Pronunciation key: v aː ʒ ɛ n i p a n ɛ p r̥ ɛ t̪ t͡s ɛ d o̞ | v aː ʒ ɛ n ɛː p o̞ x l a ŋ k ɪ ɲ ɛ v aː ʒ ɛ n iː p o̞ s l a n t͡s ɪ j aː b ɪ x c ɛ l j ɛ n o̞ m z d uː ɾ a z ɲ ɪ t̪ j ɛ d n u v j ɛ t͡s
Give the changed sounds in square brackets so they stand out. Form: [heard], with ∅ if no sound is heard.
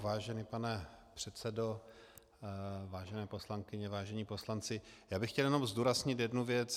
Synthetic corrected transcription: v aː ʒ ɛ n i p a n ɛ p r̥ ɛ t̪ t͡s ɛ d o̞ | v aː ʒ ɛ n ɛː p o̞ [s] l a ŋ k ɪ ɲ ɛ v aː ʒ ɛ [ɲ] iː p o̞ s l a n t͡s ɪ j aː b ɪ x c ɛ l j ɛ n o̞ m z d uː ɾ a z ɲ ɪ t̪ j ɛ d n u v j ɛ t͡s